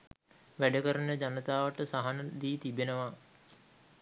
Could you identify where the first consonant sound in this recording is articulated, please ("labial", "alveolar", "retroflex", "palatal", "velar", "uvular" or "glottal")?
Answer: labial